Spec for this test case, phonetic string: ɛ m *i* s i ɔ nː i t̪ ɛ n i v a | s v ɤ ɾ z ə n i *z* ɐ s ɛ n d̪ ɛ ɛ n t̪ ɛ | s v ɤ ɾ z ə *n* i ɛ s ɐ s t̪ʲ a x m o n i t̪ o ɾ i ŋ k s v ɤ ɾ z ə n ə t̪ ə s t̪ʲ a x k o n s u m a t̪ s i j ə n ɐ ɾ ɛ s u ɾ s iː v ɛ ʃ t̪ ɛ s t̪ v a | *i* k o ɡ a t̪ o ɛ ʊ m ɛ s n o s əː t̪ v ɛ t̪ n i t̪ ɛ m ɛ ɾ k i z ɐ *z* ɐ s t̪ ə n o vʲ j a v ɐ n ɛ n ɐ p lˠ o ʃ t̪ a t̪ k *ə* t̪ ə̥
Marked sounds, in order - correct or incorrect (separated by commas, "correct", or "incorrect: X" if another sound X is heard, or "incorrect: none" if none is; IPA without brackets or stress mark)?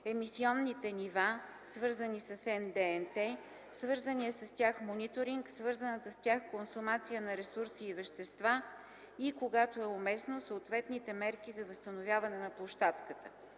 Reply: correct, incorrect: s, correct, correct, incorrect: v, correct